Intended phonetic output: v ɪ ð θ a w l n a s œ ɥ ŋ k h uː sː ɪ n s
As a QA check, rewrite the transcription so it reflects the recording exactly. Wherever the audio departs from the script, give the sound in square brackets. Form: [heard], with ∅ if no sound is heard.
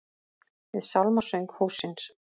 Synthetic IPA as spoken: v ɪ ð [s] a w l [m] a s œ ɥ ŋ k h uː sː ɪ n s